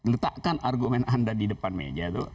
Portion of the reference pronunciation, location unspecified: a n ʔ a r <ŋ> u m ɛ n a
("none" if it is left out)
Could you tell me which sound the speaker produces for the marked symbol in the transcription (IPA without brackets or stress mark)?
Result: ɡ